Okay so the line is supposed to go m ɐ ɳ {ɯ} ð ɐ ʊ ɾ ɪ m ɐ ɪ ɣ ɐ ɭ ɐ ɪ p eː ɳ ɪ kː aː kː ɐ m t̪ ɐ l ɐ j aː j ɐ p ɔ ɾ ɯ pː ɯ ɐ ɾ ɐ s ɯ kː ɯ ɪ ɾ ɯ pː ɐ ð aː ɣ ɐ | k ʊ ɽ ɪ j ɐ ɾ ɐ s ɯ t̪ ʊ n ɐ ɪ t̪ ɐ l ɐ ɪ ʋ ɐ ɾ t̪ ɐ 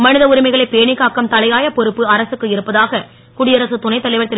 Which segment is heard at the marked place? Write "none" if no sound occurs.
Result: ɯ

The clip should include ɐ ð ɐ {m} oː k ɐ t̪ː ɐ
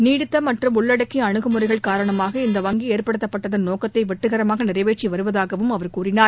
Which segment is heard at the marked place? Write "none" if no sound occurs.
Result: n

